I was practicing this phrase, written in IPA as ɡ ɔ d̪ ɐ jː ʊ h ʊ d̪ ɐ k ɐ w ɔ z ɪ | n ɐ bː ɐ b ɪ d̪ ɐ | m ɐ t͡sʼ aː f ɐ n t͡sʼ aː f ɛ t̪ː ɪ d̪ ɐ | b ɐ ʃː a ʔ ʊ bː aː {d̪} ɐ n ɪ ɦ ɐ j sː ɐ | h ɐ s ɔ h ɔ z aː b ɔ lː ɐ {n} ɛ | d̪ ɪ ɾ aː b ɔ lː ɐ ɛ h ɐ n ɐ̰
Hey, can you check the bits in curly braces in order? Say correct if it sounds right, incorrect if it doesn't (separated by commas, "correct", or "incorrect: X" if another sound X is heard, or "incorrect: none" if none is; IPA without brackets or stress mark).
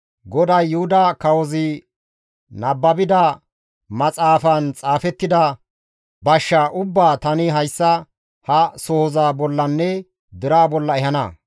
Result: incorrect: t̪, incorrect: nː